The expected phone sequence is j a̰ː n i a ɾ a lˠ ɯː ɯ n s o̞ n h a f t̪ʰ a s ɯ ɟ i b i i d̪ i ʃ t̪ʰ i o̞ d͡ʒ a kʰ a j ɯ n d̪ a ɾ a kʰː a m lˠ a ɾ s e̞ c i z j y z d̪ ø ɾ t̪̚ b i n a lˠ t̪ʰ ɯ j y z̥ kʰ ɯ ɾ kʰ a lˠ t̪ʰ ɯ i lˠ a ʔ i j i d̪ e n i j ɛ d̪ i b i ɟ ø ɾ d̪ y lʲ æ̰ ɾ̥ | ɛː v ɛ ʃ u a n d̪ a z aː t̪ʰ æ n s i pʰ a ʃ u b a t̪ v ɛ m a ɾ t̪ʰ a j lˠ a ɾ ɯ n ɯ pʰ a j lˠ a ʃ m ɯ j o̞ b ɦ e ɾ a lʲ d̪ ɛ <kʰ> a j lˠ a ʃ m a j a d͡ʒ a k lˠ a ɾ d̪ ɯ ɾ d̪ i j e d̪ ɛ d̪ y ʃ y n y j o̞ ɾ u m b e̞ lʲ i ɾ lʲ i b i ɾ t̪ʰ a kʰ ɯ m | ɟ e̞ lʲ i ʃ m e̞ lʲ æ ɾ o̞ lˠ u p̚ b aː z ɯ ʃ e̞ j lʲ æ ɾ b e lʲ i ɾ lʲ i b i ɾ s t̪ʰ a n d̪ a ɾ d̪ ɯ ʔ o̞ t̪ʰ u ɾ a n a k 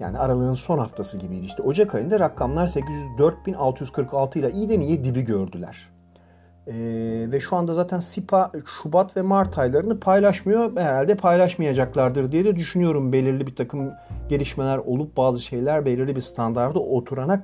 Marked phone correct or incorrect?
incorrect